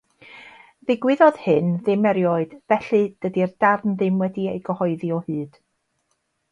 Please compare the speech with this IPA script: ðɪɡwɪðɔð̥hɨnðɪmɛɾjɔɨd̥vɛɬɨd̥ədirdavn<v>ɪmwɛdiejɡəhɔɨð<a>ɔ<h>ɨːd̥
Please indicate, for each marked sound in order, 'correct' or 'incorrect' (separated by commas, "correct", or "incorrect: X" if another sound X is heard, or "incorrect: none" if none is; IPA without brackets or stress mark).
incorrect: ð, incorrect: i, correct